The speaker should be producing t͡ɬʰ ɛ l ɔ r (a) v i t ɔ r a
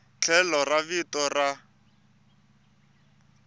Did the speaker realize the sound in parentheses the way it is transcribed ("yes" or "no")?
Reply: yes